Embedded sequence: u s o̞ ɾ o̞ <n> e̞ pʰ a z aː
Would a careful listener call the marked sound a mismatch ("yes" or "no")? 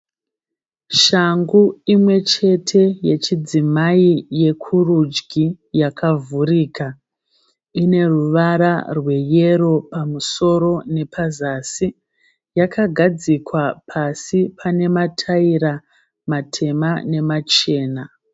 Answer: no